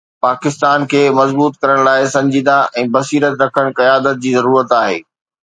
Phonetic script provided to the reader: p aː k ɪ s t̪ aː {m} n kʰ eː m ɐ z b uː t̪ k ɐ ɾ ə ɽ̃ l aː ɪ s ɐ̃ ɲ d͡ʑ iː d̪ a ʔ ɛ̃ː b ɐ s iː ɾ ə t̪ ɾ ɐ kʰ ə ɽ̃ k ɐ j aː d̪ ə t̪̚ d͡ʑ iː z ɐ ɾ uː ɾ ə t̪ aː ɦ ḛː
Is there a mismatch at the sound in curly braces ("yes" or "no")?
yes